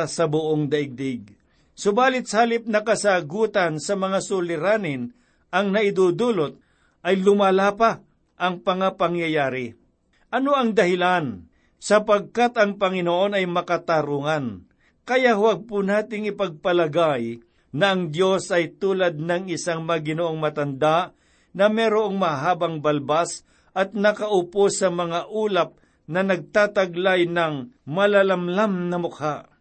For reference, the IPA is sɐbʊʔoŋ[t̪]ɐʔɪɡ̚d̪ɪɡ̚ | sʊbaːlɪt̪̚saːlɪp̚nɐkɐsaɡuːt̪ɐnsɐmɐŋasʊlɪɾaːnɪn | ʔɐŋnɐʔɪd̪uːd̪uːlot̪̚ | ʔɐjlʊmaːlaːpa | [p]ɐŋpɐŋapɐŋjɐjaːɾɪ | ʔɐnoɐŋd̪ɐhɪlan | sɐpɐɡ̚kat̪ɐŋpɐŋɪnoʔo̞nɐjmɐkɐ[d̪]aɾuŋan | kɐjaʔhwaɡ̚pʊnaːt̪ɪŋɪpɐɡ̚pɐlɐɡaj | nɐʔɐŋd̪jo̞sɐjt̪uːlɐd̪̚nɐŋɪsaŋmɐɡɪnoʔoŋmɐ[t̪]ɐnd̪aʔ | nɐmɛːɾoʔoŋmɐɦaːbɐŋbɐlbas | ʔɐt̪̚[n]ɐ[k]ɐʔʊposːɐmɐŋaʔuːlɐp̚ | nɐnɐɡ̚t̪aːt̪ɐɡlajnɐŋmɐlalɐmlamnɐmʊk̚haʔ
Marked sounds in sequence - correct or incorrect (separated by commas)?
incorrect, incorrect, incorrect, correct, correct, correct